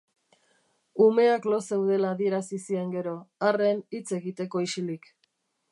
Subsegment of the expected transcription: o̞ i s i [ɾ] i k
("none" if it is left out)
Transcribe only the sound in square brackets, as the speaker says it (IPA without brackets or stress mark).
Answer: l